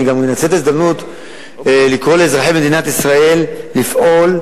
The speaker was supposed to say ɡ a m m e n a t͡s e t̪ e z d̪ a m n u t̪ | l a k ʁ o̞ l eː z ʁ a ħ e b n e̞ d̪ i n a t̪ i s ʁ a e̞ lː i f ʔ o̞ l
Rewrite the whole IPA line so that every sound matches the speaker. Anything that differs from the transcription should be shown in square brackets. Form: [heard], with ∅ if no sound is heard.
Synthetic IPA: ɡ a m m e n a t͡s e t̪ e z d̪ a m n u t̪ | l [i] k ʁ o̞ l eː z ʁ a ħ e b [m] e̞ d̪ i n a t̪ i s ʁ a e̞ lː i f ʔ o̞ l